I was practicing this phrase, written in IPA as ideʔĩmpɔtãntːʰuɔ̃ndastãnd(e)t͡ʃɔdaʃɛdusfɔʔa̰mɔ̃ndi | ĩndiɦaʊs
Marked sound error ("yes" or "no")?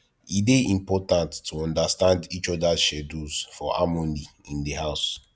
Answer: yes